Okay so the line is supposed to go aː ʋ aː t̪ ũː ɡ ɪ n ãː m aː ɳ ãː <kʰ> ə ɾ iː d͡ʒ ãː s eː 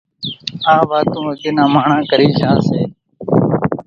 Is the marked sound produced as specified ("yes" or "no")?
no